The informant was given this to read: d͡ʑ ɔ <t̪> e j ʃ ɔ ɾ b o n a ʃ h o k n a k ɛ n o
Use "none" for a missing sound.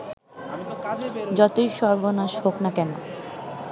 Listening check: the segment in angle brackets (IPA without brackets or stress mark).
t̪